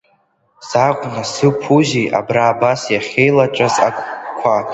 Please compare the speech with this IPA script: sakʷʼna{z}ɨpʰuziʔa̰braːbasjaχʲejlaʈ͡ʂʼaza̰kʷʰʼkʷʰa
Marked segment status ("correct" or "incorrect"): incorrect